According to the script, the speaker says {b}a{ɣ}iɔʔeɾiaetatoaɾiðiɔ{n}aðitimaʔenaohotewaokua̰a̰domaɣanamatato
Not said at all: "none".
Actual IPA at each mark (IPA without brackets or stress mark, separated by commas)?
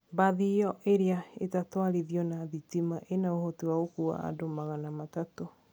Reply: b, ð, n